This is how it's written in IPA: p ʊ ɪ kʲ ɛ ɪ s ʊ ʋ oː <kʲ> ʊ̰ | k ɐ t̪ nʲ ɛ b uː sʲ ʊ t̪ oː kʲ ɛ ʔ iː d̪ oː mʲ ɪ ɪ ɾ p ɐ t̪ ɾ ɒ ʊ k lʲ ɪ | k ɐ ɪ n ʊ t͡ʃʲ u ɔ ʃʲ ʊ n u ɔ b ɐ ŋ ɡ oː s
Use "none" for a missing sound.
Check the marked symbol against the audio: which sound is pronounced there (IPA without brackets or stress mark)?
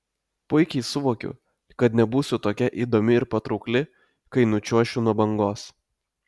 kʲ